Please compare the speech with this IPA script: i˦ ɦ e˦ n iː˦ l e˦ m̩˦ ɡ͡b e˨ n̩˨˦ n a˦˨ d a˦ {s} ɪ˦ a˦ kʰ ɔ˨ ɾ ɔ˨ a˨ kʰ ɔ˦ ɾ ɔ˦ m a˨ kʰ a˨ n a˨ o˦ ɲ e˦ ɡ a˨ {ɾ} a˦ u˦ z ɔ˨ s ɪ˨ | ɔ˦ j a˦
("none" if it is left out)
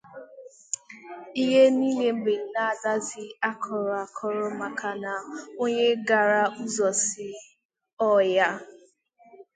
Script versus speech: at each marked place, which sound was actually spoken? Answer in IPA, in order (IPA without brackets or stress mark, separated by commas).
z, ɾ